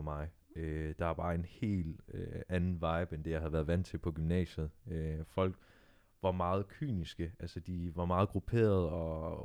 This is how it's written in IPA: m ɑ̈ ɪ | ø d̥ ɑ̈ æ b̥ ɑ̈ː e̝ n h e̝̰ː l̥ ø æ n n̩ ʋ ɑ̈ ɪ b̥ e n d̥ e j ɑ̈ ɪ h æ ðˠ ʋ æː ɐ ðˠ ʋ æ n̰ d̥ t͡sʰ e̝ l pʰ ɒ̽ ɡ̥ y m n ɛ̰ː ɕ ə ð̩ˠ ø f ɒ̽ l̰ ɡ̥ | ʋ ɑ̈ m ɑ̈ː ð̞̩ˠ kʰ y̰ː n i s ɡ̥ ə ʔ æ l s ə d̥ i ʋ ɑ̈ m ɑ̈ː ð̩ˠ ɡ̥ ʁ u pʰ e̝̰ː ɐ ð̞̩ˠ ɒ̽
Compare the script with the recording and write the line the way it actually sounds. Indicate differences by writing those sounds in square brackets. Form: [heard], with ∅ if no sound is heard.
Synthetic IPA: m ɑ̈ ɪ | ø d̥ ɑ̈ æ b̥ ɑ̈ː e̝ n h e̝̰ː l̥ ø æ n n̩ ʋ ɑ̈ ɪ b̥ e n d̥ e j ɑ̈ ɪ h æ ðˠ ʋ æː ɐ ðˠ ʋ æ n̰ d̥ t͡sʰ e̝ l pʰ ɒ̽ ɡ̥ y m n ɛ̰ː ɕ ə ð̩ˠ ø f ɒ̽ l̰ ɡ̥ | ʋ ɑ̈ m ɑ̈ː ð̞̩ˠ kʰ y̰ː n i s ɡ̥ ə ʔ æ l s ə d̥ i ʋ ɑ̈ m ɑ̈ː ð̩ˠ ɡ̥ ʁ u pʰ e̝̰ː ɐ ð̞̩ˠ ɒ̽